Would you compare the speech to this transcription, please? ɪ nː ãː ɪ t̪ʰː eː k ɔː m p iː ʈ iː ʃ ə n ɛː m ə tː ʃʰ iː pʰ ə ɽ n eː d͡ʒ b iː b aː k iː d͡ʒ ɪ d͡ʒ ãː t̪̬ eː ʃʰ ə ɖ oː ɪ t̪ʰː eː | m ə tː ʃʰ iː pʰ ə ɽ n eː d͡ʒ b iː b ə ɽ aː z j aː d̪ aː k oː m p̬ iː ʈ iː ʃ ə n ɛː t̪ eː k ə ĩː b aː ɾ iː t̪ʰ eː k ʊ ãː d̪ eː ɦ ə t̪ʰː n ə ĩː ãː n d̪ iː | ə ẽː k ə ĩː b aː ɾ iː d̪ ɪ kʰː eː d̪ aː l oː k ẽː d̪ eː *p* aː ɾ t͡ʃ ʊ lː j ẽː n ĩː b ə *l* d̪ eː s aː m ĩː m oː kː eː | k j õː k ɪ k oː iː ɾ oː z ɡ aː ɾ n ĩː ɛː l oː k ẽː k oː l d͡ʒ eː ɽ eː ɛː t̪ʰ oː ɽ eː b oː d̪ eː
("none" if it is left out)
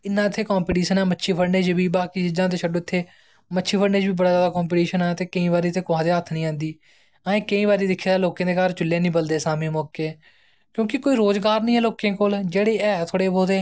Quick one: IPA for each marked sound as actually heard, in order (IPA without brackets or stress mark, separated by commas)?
k, l